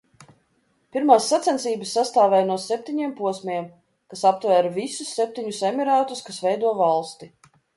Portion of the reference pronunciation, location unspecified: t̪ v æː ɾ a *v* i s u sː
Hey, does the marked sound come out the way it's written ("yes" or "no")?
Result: yes